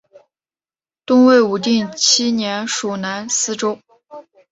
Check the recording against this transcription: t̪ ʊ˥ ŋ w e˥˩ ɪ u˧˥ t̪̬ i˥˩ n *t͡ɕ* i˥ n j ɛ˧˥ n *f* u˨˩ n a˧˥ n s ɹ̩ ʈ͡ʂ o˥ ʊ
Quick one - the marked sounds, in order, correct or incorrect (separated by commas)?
incorrect, incorrect